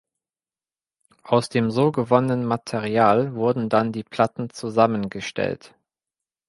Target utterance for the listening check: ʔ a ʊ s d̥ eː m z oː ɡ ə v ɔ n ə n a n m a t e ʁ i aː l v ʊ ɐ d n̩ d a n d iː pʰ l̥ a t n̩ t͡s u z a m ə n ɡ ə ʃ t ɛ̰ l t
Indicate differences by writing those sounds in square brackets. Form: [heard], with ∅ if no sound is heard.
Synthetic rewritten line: ʔ a ʊ s d̥ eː m z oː ɡ ə v ɔ n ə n [ə] n m a [tʰ] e ʁ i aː l v ʊ ɐ d n̩ d a n d iː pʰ l̥ a t n̩ t͡s u z a m ə n ɡ ə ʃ t ɛ̰ l t

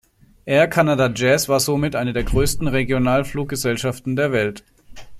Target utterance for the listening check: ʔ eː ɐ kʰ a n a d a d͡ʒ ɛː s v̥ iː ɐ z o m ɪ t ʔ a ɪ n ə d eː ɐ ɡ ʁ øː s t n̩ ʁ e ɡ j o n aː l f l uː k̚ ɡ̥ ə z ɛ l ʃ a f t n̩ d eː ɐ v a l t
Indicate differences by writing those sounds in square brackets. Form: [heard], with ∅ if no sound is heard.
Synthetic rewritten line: ʔ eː ɐ kʰ a n a d a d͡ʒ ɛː s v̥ [aː] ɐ z o m ɪ t ʔ a ɪ n ə d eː ɐ ɡ ʁ øː s t n̩ ʁ e ɡ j o n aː l f l uː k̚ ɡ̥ ə z ɛ l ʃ a f t n̩ d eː ɐ v [ɛ] l t

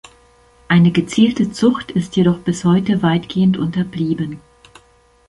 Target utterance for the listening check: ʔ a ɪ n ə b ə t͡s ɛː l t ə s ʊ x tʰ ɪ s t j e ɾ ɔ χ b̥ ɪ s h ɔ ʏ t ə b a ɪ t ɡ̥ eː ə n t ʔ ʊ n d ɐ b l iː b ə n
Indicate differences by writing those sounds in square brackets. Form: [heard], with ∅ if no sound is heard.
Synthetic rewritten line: ʔ a ɪ n ə [ɡ] ə t͡s [iː] l t ə [t͡s] ʊ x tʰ ɪ s t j e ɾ ɔ χ b̥ ɪ s h ɔ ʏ t ə [v] a ɪ t ɡ̥ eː ə n t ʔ ʊ n [t] ɐ b l iː b ə n

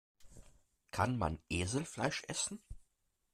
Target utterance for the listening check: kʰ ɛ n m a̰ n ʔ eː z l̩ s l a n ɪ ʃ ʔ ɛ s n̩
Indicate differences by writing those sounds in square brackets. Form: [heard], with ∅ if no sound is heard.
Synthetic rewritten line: kʰ [a] n m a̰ n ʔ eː z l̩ [f] l a [∅] ɪ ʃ ʔ ɛ s n̩

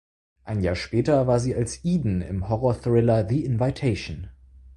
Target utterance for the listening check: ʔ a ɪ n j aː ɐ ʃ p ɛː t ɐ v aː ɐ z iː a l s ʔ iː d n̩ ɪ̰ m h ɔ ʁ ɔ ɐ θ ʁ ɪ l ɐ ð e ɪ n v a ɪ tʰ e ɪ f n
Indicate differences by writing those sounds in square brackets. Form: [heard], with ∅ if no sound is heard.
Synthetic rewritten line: ʔ a ɪ n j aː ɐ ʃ p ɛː t ɐ v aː ɐ z iː a l s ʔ iː d n̩ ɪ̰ m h ɔ ʁ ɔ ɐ θ ʁ ɪ l ɐ ð [i] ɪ n v a ɪ tʰ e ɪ [ʃ] n

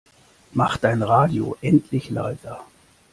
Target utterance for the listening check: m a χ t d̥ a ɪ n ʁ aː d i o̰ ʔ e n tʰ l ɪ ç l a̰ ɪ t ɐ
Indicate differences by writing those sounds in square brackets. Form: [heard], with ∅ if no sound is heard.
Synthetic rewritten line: m a χ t d̥ a ɪ n ʁ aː d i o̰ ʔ [ɛ] n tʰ l ɪ ç l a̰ ɪ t ɐ

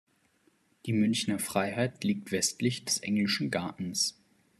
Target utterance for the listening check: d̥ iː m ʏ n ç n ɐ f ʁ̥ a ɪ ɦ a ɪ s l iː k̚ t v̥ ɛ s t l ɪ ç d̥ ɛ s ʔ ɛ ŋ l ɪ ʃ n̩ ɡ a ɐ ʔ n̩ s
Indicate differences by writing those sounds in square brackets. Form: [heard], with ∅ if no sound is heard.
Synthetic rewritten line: d̥ iː m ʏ n ç n ɐ f ʁ̥ a ɪ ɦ a ɪ [t] l iː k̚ t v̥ ɛ s t l ɪ ç d̥ ɛ s ʔ ɛ ŋ l ɪ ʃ n̩ ɡ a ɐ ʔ n̩ s

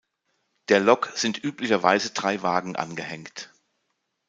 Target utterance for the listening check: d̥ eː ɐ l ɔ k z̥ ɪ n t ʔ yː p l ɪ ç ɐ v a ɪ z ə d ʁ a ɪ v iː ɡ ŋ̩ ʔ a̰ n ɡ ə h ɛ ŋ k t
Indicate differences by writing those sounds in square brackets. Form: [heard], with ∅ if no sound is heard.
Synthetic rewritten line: d̥ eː ɐ l ɔ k z̥ ɪ n t ʔ yː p l ɪ ç ɐ v a ɪ z ə d ʁ a ɪ v [aː] ɡ ŋ̩ ʔ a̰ n ɡ ə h ɛ ŋ k t

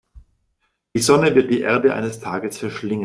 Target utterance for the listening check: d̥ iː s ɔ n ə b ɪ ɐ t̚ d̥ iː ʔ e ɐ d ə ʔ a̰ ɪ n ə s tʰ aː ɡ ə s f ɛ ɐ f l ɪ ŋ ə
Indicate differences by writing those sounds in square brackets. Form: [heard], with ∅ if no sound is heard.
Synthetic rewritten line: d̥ iː [z] ɔ n ə [v] ɪ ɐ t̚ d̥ iː ʔ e ɐ d ə ʔ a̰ ɪ n ə s tʰ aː ɡ ə s f ɛ ɐ [ʃ] l ɪ ŋ ə

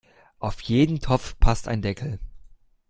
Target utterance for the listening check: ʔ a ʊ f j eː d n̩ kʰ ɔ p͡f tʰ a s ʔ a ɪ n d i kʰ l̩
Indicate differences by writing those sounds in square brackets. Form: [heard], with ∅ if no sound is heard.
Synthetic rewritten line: ʔ a ʊ f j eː d n̩ [tʰ] ɔ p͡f [pʰ] a s [t] a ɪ n d [ɛ] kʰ l̩

